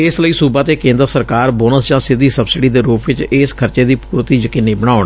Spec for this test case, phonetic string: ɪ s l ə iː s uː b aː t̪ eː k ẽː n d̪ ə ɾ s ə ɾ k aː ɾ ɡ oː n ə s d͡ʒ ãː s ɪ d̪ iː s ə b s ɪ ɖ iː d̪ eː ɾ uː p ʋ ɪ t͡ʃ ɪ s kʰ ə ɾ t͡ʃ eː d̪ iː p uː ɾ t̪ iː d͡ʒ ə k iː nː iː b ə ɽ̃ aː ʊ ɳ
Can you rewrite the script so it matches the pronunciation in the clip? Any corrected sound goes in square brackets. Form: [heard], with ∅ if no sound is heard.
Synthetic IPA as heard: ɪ s l ə iː s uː b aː t̪ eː k ẽː n d̪ ə ɾ s ə ɾ k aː ɾ [b] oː n ə s d͡ʒ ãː s ɪ d̪ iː s ə b s ɪ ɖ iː d̪ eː ɾ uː p ʋ ɪ t͡ʃ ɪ s kʰ ə ɾ t͡ʃ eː d̪ iː p uː ɾ t̪ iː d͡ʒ ə k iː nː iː b ə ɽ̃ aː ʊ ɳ